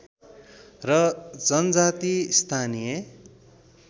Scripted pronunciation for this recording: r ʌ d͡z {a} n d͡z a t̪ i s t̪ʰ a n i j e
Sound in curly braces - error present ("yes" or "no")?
yes